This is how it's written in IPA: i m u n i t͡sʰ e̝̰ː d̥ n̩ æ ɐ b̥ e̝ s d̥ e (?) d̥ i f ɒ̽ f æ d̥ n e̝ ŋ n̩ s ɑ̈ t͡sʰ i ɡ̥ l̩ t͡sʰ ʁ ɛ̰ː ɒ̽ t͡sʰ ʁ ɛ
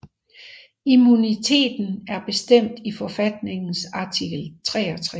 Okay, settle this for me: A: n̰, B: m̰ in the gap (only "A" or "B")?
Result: B